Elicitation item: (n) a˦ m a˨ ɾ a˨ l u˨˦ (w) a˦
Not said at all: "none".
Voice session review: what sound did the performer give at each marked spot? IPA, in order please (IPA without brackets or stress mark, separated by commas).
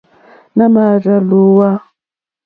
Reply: n, w